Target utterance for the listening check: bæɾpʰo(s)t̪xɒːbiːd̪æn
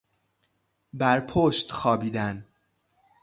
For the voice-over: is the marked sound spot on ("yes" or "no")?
no